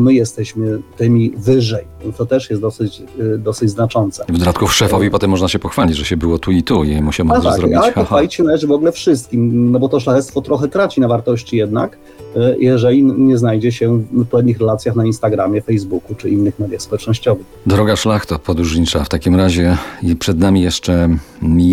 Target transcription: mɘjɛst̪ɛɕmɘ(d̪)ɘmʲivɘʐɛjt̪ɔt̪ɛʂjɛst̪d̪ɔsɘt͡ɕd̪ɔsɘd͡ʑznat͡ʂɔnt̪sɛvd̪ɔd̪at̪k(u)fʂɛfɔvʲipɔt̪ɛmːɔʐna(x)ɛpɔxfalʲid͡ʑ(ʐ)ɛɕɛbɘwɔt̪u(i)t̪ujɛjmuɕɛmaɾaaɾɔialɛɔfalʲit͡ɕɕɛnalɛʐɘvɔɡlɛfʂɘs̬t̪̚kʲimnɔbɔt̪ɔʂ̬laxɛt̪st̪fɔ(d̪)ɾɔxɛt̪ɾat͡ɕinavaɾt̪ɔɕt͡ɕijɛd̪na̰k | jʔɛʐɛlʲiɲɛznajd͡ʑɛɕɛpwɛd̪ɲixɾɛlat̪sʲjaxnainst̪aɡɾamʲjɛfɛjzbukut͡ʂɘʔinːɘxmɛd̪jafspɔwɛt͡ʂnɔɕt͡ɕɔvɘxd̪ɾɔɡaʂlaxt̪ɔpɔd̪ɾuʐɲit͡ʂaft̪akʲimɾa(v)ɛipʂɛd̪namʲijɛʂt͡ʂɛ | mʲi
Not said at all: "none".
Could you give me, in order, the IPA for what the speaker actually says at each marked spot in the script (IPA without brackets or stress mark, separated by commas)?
t̪, u, ɕ, ʐ, i, t̪, ʑ